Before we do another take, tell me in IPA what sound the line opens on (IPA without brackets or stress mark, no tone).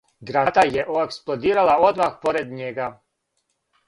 ɡ